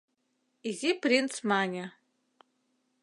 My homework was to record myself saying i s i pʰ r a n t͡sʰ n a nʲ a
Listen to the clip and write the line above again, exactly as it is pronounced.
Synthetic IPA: i z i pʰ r i n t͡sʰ m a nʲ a